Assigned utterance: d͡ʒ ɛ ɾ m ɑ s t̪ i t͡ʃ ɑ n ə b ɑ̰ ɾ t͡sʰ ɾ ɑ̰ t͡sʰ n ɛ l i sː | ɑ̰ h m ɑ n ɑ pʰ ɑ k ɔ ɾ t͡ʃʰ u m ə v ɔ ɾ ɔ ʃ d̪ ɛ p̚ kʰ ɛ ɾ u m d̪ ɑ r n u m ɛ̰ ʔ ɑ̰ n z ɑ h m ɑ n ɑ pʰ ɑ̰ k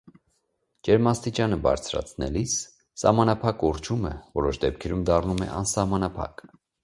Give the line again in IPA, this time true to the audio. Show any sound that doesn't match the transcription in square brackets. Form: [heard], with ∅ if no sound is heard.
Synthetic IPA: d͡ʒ ɛ ɾ m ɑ s t̪ i t͡ʃ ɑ n ə b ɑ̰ ɾ t͡sʰ ɾ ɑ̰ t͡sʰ n ɛ l i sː | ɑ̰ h m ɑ n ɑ pʰ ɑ k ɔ ɾ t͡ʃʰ u m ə v ɔ ɾ ɔ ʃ d̪ ɛ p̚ kʰ ɛ ɾ u m d̪ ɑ r n u m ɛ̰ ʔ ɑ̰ n [s] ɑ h m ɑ n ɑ pʰ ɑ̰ k